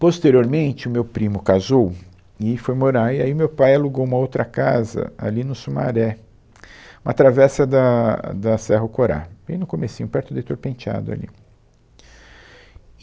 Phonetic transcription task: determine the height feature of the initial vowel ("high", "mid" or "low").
mid